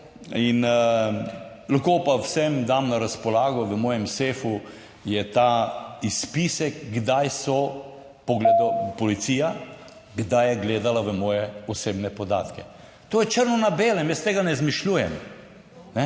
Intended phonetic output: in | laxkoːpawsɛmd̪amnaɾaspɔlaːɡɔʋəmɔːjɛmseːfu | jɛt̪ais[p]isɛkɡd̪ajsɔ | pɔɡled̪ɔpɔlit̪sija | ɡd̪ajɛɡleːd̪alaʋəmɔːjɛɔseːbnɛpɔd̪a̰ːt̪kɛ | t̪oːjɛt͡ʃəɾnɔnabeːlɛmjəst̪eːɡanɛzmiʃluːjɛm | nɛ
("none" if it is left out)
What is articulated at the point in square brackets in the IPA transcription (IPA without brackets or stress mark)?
p